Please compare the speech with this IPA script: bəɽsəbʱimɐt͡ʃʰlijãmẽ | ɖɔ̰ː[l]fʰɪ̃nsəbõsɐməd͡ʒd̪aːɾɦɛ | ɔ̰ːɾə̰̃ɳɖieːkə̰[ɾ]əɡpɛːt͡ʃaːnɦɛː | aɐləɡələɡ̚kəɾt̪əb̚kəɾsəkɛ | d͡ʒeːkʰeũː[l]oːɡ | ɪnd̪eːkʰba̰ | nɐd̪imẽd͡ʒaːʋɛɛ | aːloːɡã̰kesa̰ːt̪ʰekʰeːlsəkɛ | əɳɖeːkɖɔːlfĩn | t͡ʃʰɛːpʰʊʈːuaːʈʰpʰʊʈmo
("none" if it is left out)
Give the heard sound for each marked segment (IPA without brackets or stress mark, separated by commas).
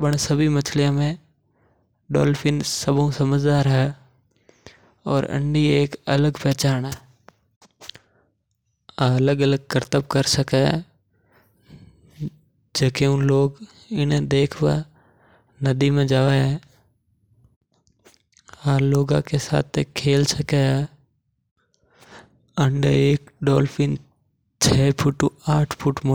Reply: l, l, l